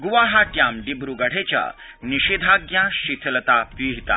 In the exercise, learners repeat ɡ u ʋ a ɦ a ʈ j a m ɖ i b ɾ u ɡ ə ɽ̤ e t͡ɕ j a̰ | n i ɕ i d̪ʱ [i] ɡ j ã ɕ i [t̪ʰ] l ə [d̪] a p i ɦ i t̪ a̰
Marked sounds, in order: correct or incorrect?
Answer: incorrect, correct, incorrect

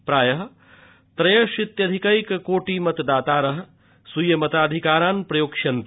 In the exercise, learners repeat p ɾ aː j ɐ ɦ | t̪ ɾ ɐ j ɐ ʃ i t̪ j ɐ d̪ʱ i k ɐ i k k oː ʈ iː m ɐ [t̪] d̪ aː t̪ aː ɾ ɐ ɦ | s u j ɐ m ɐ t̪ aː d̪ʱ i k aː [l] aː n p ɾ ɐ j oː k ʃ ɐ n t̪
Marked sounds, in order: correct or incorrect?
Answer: correct, incorrect

